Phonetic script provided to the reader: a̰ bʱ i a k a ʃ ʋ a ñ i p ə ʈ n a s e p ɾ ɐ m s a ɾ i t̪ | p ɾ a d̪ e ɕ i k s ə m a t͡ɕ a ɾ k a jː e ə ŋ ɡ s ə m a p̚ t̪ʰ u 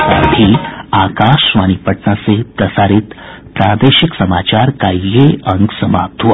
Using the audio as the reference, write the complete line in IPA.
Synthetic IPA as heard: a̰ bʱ i a k a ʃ ʋ a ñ i p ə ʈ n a s e p ɾ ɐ s a ɾ i t̪ | p ɾ a d̪ e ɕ i k s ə m a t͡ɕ a ɾ k a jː e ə ŋ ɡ s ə m a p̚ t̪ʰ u